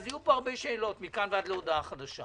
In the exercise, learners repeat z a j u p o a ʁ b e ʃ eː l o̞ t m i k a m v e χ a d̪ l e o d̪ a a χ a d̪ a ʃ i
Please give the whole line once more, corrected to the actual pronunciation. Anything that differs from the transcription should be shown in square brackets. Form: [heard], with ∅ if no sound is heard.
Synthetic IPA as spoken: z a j u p o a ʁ b e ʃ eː l o̞ t m i k a [n] v e [∅] a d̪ l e o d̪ a a χ a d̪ a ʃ [a]